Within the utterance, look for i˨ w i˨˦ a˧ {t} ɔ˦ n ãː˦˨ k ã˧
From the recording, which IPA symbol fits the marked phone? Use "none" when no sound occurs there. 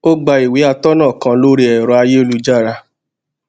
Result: t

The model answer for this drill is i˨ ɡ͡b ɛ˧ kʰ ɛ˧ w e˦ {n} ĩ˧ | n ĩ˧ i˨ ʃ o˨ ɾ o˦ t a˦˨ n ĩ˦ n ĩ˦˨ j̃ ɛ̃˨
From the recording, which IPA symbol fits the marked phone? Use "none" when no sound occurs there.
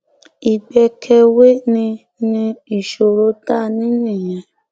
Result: n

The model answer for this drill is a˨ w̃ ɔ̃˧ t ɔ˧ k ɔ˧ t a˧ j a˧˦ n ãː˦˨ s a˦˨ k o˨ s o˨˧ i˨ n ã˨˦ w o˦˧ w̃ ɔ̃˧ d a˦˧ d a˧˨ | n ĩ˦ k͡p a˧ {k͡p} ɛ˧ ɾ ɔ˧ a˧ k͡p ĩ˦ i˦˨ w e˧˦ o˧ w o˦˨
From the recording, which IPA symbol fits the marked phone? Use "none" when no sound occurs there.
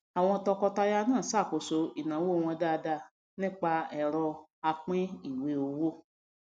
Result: none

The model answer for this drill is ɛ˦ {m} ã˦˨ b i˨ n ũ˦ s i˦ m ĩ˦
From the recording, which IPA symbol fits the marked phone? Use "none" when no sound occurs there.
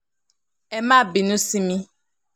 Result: m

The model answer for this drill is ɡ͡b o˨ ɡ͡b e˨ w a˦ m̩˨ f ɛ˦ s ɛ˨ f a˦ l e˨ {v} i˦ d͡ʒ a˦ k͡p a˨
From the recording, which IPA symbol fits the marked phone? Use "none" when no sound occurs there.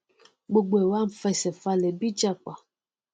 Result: b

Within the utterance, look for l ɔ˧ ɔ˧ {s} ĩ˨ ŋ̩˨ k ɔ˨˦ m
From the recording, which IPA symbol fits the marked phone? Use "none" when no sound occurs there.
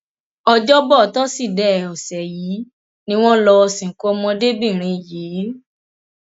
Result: s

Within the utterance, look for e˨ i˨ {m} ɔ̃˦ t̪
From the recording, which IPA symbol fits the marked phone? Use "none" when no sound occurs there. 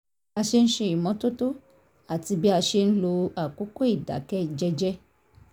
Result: m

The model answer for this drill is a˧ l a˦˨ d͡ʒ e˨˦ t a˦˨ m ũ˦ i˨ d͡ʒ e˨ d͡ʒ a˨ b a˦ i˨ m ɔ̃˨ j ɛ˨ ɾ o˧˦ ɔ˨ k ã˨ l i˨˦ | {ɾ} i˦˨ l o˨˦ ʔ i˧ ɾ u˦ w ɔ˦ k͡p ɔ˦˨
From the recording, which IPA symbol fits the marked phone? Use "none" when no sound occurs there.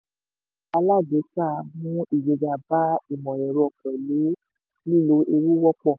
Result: l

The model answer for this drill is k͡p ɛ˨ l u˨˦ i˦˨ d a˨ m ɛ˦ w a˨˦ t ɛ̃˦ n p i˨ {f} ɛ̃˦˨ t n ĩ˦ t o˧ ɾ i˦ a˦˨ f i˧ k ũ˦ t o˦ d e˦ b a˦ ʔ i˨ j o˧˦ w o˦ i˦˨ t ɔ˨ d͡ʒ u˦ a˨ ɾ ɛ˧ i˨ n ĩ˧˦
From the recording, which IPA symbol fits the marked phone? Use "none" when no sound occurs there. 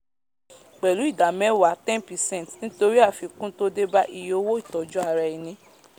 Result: s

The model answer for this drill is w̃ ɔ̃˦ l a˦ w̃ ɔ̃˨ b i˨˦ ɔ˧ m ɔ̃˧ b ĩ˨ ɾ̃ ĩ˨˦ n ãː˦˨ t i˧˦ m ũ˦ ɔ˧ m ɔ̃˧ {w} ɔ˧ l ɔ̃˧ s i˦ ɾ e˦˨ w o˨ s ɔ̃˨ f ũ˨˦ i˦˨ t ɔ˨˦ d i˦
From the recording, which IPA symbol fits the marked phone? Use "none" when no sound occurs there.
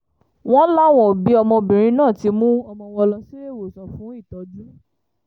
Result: w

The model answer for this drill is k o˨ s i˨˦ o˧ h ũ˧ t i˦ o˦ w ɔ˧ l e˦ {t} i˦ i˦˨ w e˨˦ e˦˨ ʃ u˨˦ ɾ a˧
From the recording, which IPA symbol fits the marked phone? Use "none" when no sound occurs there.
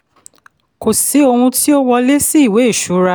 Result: s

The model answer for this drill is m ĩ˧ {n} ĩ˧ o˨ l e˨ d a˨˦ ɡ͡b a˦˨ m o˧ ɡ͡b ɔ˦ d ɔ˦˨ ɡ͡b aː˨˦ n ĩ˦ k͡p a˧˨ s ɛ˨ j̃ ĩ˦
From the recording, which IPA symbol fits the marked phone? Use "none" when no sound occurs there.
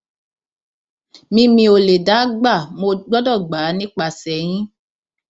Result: m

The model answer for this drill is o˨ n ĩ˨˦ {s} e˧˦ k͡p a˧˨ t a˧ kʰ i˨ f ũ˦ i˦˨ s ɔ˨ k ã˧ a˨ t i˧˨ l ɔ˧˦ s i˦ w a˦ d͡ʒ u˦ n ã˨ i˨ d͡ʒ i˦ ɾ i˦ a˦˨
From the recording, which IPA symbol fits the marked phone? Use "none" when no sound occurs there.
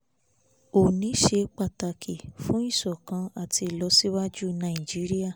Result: ʃ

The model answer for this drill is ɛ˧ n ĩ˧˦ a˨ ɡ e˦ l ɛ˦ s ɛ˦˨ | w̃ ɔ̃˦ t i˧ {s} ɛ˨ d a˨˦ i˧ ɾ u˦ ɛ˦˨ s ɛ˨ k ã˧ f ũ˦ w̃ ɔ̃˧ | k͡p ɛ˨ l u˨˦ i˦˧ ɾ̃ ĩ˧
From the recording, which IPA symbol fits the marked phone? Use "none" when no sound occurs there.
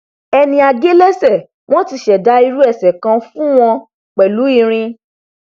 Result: ʃ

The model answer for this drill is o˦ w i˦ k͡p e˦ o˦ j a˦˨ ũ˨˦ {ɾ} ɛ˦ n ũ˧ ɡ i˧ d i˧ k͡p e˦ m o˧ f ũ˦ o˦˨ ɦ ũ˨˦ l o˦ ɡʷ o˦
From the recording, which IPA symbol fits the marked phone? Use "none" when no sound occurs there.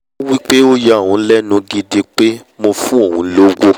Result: l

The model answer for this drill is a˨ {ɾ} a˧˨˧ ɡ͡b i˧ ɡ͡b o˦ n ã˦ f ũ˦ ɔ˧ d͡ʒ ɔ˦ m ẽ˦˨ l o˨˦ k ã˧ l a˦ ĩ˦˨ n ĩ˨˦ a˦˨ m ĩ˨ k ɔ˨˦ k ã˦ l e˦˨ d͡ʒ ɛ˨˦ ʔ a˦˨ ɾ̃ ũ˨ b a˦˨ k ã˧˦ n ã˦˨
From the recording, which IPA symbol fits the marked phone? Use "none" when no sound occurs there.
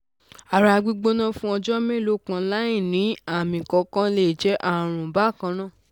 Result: ɾ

